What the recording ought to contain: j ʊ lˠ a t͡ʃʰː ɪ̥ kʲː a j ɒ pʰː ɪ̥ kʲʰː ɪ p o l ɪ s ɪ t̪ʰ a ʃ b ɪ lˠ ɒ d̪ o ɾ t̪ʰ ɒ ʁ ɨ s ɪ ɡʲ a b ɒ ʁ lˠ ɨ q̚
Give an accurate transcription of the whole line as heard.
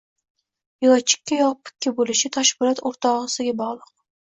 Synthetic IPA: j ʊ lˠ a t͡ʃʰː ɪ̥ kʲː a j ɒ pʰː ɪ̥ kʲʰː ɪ b o l ɪ ʃ ɪ t̪ʰ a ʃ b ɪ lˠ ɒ t̪ o ɾ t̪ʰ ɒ ʁ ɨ s ɪ ɡʲ a b ɒ ʁ lˠ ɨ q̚